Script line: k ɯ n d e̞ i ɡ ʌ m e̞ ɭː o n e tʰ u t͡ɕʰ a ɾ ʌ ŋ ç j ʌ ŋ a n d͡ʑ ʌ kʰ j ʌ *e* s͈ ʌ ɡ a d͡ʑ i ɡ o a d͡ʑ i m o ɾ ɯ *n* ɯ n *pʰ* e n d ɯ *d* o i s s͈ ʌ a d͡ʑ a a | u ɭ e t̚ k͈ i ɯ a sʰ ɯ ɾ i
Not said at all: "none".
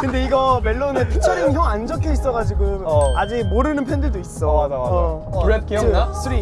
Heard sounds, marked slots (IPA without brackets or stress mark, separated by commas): i, n, pʰ, d